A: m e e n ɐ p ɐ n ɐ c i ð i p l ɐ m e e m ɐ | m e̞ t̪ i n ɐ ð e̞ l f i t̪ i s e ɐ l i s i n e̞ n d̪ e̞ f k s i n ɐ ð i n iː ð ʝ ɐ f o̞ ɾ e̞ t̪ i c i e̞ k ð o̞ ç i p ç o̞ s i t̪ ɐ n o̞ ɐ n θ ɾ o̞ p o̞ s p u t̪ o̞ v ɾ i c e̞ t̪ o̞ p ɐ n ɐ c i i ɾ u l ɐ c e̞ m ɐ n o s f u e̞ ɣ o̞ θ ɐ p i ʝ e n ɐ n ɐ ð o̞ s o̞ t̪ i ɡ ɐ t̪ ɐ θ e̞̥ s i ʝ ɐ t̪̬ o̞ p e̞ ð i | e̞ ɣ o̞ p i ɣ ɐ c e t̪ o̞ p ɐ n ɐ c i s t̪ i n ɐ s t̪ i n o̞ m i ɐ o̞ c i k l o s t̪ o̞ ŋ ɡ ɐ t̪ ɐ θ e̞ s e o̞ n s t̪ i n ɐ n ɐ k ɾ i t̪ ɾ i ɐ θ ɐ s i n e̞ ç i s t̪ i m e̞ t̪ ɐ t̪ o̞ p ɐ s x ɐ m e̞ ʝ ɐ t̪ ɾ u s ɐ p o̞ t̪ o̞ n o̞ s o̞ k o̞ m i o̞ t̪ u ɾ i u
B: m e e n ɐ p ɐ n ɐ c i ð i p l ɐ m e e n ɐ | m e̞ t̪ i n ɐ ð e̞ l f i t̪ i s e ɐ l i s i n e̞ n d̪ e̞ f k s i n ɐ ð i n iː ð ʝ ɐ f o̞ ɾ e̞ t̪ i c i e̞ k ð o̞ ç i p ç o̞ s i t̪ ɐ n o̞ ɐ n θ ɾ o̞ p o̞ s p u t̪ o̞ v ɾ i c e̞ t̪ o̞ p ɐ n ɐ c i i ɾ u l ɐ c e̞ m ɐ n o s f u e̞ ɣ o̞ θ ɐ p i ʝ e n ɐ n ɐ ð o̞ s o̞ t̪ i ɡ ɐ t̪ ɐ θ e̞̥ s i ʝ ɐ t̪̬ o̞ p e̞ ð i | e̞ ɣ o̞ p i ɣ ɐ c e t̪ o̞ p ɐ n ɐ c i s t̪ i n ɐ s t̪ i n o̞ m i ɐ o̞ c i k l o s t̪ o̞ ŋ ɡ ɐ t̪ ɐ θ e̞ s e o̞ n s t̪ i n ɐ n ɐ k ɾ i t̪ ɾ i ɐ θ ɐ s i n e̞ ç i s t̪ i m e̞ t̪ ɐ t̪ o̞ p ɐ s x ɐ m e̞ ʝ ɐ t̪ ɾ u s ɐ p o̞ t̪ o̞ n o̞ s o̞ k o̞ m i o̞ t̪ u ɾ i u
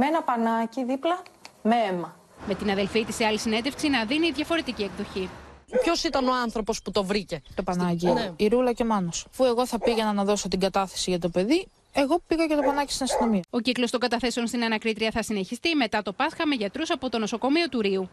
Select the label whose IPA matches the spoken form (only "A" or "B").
A